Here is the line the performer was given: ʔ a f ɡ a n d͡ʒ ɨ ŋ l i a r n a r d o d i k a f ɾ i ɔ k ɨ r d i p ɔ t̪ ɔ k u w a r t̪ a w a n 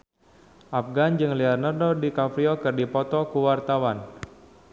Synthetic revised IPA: ʔ a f ɡ a n d͡ʒ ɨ ŋ l i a r n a r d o d i k a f ɾ i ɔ k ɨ r d i p ɔ t̪ ɔ k u w a r t̪ a w a n